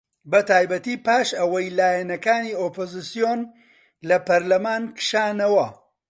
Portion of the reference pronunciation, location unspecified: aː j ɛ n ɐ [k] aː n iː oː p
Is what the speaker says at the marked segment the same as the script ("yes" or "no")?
yes